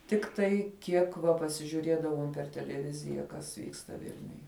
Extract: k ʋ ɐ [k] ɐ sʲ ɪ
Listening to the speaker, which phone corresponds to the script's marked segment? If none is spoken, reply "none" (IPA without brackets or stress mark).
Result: p